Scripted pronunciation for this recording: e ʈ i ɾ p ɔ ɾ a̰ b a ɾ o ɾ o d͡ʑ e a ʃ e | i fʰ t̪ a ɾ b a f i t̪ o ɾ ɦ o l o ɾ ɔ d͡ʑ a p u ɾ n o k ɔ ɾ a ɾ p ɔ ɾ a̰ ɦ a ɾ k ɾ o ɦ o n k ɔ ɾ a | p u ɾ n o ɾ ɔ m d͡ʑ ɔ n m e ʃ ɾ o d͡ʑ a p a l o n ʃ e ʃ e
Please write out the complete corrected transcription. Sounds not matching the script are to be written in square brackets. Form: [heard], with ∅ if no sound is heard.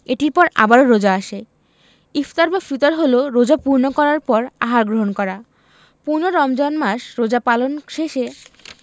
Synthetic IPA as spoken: e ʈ i ɾ p ɔ ɾ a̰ b a ɾ o ɾ o d͡ʑ [a] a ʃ e | i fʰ t̪ a ɾ b a f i t̪ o ɾ ɦ o l o ɾ [o] d͡ʑ a p u ɾ n o k ɔ ɾ a ɾ p ɔ ɾ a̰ ɦ a ɾ [ɡ] ɾ o ɦ o n k ɔ ɾ a | p u ɾ n o ɾ ɔ m d͡ʑ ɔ n m [a] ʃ ɾ o d͡ʑ a p a l o n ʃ e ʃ e

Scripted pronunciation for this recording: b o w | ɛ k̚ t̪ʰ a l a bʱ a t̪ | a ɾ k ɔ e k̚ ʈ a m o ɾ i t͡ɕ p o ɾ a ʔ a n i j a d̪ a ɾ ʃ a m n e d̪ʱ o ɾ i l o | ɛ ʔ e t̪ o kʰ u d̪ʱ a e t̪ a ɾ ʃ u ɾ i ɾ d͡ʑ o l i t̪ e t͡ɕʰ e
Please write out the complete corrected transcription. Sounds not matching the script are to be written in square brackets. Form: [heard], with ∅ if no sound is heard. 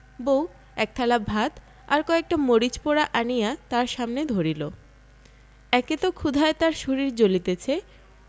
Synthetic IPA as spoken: b o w | ɛ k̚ t̪ʰ a l a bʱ a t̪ | a ɾ k ɔ e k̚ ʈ a m o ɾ i t͡ɕ p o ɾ a ʔ a n i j a [t̪] a ɾ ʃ a m n e d̪ʱ o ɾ i l o | ɛ [k] e t̪ o kʰ u d̪ʱ a e t̪ a ɾ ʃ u ɾ i ɾ d͡ʑ o l i t̪ e t͡ɕʰ e

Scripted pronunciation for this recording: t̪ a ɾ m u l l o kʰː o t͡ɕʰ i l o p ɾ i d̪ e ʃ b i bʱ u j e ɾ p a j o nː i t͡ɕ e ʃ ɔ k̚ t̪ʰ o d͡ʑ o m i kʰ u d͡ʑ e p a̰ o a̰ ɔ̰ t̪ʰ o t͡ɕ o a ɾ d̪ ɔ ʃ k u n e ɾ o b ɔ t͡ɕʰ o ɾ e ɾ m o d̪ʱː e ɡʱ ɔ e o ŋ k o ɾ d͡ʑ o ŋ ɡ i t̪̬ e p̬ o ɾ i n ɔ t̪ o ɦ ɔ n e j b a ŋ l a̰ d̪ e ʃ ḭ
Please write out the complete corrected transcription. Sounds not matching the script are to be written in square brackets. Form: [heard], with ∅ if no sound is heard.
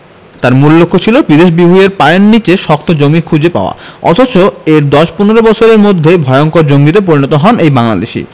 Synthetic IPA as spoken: t̪ a ɾ m u l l o kʰː o t͡ɕʰ i l o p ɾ i d̪ e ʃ b i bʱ u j e ɾ p a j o nː i t͡ɕ e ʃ ɔ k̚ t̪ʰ o d͡ʑ o m i kʰ u d͡ʑ e p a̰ o a̰ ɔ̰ t̪ʰ o t͡ɕ o [e] ɾ d̪ ɔ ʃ [p] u n e ɾ o b ɔ t͡ɕʰ o ɾ e ɾ m o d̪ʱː e [bʱ] ɔ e o ŋ k o ɾ d͡ʑ o ŋ ɡ i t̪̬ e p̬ o ɾ i n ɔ t̪ o ɦ ɔ n e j b a ŋ l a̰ d̪ e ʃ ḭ

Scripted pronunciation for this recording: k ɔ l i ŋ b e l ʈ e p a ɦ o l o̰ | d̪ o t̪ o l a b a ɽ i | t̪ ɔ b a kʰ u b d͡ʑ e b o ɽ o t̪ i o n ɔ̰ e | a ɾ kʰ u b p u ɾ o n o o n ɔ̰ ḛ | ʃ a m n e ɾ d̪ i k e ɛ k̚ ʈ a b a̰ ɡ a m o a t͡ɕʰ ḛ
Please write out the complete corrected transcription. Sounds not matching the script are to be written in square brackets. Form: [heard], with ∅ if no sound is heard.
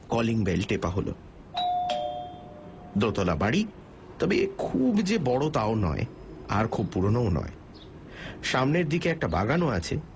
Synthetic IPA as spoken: k ɔ l i ŋ b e l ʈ e p a ɦ o l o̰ | d̪ o t̪ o l a b a ɽ i | t̪ ɔ b [e] kʰ u b d͡ʑ e b [ɔ] ɽ o t̪ [a] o n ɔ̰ e | a ɾ kʰ u b p u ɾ o n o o n ɔ̰ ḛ | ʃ a m n e ɾ d̪ i k e ɛ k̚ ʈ a b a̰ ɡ a [n] o a t͡ɕʰ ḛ

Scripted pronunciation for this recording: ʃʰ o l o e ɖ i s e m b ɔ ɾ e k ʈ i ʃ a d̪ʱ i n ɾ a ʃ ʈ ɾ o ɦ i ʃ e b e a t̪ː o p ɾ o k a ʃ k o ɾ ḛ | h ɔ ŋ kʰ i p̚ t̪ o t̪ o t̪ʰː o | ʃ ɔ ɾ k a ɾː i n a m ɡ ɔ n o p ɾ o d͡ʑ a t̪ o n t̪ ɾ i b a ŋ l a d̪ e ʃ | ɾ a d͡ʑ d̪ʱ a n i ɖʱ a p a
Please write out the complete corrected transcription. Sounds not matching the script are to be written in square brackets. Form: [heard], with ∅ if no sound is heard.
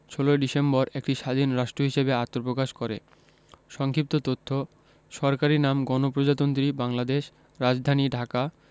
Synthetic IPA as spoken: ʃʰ o l o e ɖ i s e m b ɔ ɾ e k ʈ i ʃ a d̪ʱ i n ɾ a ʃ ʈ ɾ o ɦ i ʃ e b e a t̪ː o p ɾ o k a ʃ k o ɾ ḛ | [ʃ] ɔ ŋ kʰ i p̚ t̪ o t̪ o t̪ʰː o | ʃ ɔ ɾ k a [ɾ] i n a m ɡ ɔ n o p ɾ o d͡ʑ a t̪ o n t̪ ɾ i b a ŋ l a d̪ e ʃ | ɾ a d͡ʑ d̪ʱ a n i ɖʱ a [k] a

